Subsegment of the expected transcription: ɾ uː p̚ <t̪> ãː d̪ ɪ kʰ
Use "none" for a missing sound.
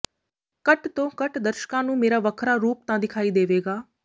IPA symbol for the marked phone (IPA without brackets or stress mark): t̪